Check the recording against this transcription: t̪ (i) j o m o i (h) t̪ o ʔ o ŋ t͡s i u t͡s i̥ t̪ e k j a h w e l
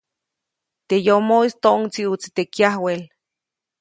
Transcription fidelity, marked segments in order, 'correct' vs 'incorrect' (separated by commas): incorrect, incorrect